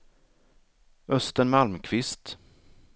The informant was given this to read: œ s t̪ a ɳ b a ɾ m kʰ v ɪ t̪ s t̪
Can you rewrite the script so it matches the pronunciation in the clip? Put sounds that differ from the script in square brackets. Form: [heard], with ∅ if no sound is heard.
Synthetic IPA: œ s t̪ [ə] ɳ [m] a [l] m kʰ v ɪ [∅] s t̪